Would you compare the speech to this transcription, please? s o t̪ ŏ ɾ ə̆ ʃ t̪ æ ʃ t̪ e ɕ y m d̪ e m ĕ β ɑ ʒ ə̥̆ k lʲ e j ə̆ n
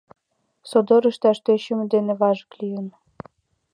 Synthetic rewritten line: s o d̪ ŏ ɾ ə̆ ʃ t̪ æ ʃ t̪ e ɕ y m d̪ e n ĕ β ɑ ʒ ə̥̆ k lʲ i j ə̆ n